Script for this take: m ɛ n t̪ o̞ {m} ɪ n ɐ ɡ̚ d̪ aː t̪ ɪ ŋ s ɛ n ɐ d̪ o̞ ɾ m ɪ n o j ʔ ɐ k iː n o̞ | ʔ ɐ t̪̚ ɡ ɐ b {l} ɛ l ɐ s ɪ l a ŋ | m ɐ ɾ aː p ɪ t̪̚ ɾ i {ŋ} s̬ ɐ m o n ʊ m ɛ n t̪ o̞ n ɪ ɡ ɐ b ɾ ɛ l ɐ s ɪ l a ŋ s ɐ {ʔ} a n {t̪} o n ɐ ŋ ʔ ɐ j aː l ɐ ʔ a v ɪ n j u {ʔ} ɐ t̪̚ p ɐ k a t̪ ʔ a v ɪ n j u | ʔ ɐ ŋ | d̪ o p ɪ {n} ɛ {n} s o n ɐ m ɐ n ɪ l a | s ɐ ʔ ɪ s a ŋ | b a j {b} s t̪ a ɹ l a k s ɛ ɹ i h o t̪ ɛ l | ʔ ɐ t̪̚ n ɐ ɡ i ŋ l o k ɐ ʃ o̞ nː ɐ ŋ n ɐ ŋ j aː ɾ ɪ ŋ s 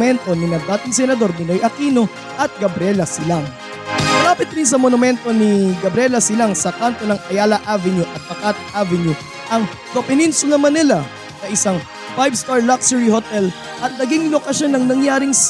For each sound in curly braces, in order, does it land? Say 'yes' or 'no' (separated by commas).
no, no, no, no, yes, yes, yes, yes, yes